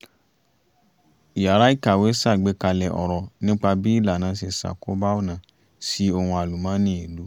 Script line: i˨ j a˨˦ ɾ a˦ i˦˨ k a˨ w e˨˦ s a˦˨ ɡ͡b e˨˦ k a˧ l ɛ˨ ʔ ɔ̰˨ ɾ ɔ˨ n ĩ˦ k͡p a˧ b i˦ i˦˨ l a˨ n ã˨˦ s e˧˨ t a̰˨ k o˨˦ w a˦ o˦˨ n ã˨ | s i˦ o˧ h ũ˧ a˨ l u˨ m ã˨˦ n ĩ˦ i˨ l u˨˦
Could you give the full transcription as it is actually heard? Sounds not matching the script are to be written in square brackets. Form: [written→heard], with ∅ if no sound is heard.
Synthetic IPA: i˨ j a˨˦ ɾ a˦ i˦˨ k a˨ w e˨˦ s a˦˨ ɡ͡b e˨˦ k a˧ l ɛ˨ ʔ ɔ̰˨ ɾ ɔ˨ n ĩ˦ k͡p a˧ b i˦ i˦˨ l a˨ n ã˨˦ s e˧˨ [t→s] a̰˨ k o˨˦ [w→b] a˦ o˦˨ n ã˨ | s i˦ o˧ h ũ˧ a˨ l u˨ m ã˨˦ n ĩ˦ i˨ l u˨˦